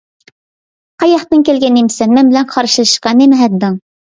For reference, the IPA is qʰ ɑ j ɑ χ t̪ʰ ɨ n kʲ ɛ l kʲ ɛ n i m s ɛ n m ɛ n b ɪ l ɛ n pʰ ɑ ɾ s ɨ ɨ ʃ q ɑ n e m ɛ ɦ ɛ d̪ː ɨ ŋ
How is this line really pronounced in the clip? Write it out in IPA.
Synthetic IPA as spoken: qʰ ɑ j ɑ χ t̪ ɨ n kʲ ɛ l ɡʲ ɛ n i m s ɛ n m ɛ n b ɪ l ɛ n qʰ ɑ ɾ ʃ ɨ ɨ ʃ q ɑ n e m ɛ ɦ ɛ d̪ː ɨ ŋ